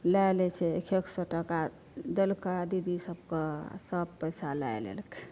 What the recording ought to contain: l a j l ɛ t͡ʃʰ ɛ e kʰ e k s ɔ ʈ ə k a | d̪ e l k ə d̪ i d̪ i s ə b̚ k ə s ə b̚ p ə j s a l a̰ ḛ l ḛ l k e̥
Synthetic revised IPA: l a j l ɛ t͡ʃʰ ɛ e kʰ e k s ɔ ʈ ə k a | d̪ e l k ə d̪ i d̪ i s ə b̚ k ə s ə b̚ p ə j s a l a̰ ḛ l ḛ l k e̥